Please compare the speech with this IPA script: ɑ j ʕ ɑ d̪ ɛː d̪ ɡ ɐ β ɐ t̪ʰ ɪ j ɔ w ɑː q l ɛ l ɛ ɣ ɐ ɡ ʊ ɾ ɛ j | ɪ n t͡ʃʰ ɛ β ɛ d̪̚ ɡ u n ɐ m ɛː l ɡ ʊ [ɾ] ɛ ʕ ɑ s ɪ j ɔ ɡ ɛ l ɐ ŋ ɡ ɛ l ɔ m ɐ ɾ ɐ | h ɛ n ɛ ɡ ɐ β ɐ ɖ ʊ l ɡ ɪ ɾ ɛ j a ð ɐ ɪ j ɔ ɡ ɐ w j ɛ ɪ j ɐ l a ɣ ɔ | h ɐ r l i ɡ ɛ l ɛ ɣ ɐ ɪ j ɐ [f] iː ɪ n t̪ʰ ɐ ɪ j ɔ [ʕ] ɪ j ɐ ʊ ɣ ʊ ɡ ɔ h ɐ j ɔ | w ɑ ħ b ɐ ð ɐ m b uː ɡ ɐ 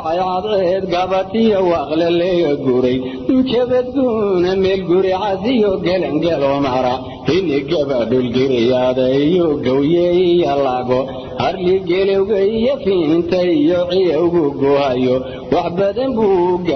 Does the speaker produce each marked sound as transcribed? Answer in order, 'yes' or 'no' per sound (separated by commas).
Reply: yes, yes, yes